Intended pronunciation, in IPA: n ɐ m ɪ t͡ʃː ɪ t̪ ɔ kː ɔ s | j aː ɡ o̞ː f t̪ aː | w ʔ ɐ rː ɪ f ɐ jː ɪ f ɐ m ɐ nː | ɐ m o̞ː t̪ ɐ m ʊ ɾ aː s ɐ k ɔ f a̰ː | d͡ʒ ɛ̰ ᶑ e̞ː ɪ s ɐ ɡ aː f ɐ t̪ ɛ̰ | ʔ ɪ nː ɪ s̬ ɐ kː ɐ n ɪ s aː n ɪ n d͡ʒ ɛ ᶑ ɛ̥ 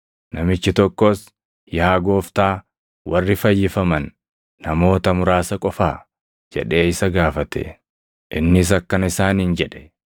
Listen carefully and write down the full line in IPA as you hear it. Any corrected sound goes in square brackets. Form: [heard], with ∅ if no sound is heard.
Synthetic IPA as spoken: n ɐ m ɪ t͡ʃː ɪ t̪ ɔ kː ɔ s | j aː ɡ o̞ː f t̪ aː | w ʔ ɐ rː ɪ f ɐ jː ɪ f ɐ m ɐ nː | ɐ m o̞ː t̪ ɐ m ʊ ɾ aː s ɐ [kʼ] ɔ f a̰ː | d͡ʒ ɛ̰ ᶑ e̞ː ɪ s ɐ ɡ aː f ɐ t̪ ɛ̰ | ʔ ɪ nː ɪ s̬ ɐ kː ɐ n ɪ s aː n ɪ n d͡ʒ ɛ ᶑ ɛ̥

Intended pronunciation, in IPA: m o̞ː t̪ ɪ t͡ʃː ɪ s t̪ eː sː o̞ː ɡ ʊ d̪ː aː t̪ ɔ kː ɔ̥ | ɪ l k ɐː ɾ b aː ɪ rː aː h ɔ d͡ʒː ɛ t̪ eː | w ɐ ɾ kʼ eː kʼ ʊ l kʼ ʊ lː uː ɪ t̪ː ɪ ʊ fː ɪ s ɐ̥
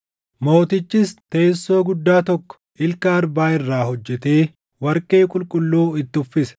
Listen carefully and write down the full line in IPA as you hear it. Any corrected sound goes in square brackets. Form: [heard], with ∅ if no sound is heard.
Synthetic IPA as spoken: m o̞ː t̪ ɪ t͡ʃː ɪ s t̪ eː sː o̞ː ɡ ʊ d̪ː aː t̪ ɔ kː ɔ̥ | ɪ l k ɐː ɾ b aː ɪ rː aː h ɔ d͡ʒː ɛ t̪ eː | w ɐ ɾ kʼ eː kʼ ʊ l kʼ ʊ lː uː ɪ t̪ː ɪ ʊ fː ɪ s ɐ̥

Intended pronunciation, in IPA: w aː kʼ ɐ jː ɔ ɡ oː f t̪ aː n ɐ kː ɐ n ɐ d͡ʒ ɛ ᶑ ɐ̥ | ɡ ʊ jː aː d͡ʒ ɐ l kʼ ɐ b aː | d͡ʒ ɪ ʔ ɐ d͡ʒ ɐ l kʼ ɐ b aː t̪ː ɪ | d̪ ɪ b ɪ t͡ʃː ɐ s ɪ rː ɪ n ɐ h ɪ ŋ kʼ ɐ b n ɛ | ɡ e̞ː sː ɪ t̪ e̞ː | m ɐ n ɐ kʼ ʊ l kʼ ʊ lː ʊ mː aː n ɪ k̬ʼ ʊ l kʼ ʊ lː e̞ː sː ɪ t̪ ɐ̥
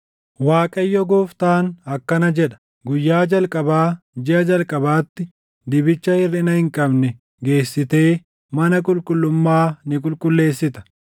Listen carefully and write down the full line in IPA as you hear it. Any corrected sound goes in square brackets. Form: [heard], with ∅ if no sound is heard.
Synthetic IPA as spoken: w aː kʼ ɐ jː ɔ ɡ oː f t̪ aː n ɐ kː ɐ n ɐ d͡ʒ ɛ ᶑ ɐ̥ | ɡ ʊ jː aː d͡ʒ ɐ l kʼ ɐ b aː | d͡ʒ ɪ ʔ ɐ d͡ʒ ɐ l kʼ ɐ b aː t̪ː ɪ | d̪ ɪ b ɪ t͡ʃː ɐ [h] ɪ rː ɪ n ɐ h ɪ ŋ kʼ ɐ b n ɛ | ɡ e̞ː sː ɪ t̪ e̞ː | m ɐ n ɐ kʼ ʊ l kʼ ʊ lː ʊ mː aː n ɪ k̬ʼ ʊ l kʼ ʊ lː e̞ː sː ɪ t̪ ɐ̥

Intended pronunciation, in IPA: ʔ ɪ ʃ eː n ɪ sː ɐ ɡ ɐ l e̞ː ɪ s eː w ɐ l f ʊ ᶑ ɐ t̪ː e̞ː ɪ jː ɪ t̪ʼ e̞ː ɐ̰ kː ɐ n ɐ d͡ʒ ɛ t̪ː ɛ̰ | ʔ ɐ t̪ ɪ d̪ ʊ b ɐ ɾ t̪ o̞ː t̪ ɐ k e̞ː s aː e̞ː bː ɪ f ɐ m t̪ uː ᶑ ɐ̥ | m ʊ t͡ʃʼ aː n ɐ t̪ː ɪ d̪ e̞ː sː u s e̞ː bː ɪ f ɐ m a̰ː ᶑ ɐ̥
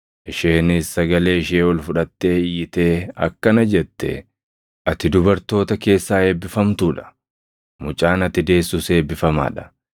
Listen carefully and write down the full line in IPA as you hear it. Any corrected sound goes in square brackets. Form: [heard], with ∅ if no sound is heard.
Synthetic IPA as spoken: ʔ ɪ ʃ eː n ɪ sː ɐ ɡ ɐ l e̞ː ɪ [ʃ] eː w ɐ l f ʊ ᶑ ɐ t̪ː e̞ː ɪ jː ɪ [t̪] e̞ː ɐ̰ kː ɐ n ɐ d͡ʒ ɛ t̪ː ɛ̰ | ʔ ɐ t̪ ɪ d̪ ʊ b ɐ ɾ t̪ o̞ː t̪ ɐ k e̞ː [sː] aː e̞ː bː ɪ f ɐ m t̪ uː ᶑ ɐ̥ | m ʊ t͡ʃʼ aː n ɐ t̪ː ɪ d̪ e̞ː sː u s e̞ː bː ɪ f ɐ m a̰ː ᶑ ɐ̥

